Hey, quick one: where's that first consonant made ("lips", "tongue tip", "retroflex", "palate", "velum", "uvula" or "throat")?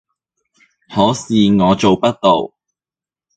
throat